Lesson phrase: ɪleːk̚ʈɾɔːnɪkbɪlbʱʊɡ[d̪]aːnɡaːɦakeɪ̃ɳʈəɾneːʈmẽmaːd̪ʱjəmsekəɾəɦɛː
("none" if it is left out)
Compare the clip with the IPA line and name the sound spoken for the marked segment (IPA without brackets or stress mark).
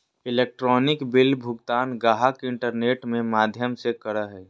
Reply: t̪